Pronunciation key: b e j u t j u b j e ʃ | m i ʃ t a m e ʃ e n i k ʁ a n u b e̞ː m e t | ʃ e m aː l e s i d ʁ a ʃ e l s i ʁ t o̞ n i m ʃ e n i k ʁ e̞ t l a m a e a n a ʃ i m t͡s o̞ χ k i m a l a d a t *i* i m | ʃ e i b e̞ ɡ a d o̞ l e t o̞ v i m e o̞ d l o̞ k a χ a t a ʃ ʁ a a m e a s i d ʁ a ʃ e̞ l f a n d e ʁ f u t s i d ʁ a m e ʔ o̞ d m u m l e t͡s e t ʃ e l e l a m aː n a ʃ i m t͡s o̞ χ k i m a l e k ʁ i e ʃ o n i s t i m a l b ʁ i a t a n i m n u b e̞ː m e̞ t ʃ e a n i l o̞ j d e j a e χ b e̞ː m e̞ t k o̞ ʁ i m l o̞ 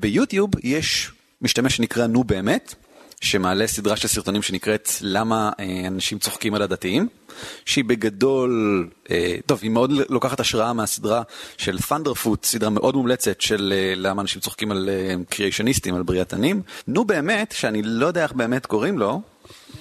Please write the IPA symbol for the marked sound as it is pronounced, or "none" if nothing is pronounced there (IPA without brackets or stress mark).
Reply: i